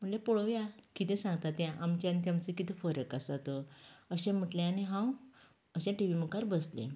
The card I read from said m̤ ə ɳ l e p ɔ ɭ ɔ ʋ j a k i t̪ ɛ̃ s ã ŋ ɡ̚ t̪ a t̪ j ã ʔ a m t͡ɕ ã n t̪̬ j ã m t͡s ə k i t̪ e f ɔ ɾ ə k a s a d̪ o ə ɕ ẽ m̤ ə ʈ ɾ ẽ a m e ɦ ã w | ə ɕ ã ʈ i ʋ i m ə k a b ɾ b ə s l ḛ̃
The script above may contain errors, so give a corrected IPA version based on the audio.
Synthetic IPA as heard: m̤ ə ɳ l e p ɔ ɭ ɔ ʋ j a k i t̪ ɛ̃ s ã ŋ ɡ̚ t̪ a t̪ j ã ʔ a m t͡ɕ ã n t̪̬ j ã m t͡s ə k i t̪ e f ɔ ɾ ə k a s a t̪ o ə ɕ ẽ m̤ ə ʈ l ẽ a n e ɦ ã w | ə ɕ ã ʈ i ʋ i m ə k a ɾ b ə s l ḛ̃